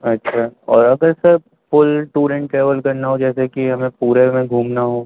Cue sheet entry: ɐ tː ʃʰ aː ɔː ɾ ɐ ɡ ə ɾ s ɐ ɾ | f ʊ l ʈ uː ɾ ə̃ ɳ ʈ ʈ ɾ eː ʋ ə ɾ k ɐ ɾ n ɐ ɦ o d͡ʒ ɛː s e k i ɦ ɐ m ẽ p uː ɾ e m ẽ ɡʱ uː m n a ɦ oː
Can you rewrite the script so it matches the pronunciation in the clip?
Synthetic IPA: ɐ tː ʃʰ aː ɔː ɾ ɐ ɡ ə ɾ s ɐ ɾ | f ʊ l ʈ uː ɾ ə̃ ɳ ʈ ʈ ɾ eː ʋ ə l k ɐ ɾ n a ɦ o d͡ʒ ɛː s e k i ɦ ɐ m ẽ p uː ɾ e m ẽ ɡʱ uː m n a ɦ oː